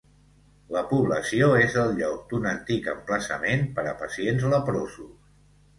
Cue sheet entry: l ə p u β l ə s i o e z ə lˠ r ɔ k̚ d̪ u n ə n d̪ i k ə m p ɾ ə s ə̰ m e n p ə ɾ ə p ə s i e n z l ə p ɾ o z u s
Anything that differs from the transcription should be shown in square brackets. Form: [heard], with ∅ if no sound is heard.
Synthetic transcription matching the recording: l ə p u β l ə s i o e z ə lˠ [ʎ] ɔ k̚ d̪ u n ə n [t̪] i k ə m p [l] ə s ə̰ m e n p ə ɾ ə p ə s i e n z l ə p ɾ o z u s